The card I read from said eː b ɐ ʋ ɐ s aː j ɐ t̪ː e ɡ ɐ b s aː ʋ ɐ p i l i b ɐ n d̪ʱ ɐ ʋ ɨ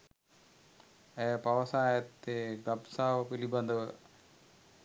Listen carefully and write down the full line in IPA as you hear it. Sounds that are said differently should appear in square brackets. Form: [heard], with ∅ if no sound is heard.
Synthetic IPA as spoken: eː [p] ɐ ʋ ɐ s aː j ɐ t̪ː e ɡ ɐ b s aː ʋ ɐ p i l i b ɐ n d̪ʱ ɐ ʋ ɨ